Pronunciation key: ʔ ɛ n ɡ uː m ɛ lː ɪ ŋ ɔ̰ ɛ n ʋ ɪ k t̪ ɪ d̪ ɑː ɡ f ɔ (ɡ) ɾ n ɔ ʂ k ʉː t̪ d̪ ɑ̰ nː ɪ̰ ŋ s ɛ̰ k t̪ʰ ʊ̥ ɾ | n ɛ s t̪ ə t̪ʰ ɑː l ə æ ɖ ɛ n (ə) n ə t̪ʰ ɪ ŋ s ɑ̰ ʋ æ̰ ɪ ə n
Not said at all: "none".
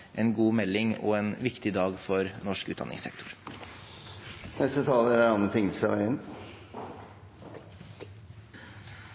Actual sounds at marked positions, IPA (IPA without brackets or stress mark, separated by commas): none, ɑ